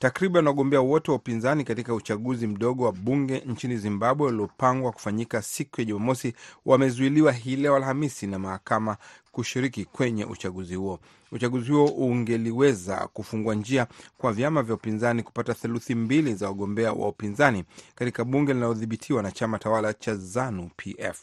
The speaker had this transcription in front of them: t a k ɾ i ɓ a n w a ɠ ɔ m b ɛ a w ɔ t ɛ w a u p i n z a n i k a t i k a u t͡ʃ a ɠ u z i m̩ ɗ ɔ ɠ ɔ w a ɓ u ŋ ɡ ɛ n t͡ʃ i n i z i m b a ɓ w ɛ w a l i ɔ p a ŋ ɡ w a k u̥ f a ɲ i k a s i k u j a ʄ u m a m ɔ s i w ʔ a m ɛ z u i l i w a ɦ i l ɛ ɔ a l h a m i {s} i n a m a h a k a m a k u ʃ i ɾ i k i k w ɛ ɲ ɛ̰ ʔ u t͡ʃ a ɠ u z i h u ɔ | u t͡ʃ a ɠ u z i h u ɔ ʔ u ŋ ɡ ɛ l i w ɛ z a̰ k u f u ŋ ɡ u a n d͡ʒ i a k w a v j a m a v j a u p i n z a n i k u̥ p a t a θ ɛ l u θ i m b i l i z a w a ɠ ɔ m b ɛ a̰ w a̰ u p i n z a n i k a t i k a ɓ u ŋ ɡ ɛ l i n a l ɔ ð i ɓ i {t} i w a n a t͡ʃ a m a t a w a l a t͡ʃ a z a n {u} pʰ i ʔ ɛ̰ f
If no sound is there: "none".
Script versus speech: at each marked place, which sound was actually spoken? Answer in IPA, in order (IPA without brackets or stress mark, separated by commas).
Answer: s, tʰ, u